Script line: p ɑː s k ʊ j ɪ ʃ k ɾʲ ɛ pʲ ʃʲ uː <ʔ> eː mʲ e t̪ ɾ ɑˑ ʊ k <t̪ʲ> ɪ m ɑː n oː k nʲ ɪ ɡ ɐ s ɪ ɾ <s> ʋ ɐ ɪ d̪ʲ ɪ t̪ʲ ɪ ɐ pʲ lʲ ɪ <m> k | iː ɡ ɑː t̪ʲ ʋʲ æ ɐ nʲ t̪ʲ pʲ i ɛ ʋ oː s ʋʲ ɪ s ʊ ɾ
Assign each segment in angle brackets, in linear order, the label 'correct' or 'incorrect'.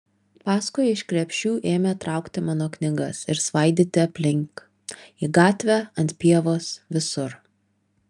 correct, correct, correct, incorrect: ŋ

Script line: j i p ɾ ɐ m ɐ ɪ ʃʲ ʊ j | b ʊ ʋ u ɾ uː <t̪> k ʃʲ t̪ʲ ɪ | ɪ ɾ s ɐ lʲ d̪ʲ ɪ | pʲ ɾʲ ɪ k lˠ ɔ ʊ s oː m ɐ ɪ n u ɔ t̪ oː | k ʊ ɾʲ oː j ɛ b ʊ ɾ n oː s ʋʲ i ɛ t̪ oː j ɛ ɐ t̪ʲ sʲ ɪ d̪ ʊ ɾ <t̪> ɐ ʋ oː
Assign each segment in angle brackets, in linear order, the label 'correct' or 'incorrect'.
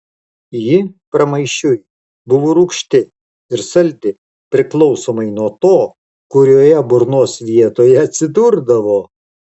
incorrect: none, incorrect: d̪

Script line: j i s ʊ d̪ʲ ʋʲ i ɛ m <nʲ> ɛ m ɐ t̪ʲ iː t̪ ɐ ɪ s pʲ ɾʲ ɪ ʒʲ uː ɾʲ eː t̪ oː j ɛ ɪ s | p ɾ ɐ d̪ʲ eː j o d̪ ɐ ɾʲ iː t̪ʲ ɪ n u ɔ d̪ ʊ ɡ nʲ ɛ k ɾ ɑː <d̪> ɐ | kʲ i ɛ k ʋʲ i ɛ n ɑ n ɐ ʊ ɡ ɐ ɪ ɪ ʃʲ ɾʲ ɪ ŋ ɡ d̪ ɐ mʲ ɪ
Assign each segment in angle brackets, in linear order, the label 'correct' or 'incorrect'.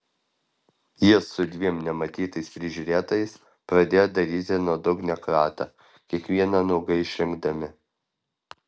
correct, incorrect: t̪

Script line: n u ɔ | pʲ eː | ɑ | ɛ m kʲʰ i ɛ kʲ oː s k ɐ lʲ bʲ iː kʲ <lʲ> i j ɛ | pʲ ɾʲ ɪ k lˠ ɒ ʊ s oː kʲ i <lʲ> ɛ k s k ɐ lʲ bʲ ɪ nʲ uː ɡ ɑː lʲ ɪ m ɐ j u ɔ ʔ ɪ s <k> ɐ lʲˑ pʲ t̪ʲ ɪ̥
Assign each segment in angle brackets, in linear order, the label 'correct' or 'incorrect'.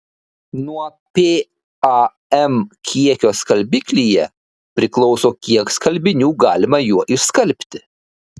correct, incorrect: none, correct

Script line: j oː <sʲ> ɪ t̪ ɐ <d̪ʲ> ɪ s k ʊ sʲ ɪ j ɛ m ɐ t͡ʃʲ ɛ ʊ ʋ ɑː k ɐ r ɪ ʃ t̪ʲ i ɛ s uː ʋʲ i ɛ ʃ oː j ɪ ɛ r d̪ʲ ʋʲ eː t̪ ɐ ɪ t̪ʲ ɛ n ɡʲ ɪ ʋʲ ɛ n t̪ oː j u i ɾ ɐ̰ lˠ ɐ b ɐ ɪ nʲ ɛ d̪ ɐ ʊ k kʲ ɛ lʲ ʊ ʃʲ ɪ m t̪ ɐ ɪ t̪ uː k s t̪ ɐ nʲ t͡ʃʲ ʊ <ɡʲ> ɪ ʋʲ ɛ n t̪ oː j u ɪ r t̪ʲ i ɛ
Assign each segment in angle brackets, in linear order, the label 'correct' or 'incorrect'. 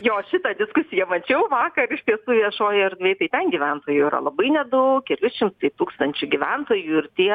incorrect: ʃʲ, correct, correct

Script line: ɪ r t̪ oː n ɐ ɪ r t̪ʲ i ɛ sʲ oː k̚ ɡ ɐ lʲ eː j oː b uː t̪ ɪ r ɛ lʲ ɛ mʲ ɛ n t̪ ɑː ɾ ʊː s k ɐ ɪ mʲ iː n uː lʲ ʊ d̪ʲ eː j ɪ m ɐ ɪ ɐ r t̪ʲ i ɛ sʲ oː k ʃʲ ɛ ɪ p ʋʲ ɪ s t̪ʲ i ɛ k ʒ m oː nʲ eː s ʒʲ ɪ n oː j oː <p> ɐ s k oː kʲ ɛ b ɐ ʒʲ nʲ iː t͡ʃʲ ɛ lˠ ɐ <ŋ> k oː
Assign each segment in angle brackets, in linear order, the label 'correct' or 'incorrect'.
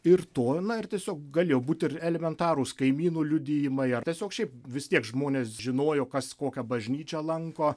incorrect: k, correct

